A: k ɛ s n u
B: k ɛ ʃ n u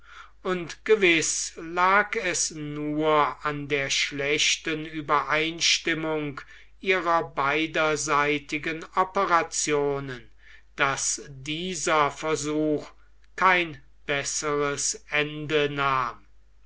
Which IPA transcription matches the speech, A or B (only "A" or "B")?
A